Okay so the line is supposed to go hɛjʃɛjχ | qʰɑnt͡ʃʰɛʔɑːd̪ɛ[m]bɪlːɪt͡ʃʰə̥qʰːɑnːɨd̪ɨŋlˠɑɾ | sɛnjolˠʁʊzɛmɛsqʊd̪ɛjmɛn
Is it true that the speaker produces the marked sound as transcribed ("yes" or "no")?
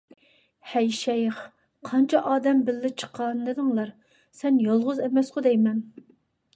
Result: yes